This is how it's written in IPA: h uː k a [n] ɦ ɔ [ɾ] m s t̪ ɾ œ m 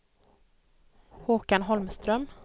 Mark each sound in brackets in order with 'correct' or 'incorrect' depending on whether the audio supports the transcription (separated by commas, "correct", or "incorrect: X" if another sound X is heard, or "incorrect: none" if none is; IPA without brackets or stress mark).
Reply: correct, incorrect: l